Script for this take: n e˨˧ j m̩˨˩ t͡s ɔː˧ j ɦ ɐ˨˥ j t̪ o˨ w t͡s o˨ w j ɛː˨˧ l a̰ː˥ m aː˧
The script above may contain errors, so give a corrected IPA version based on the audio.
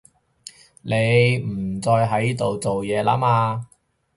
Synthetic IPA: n e˨˧ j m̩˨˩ t͡s ɔː˧ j ɦ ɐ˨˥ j t̪ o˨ w t͡s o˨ w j ɛː˨˧ l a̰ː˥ m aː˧